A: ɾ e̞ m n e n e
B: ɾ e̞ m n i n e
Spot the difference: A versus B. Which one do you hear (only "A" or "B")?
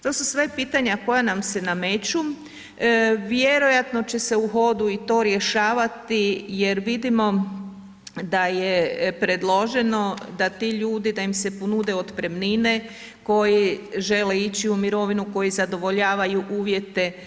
B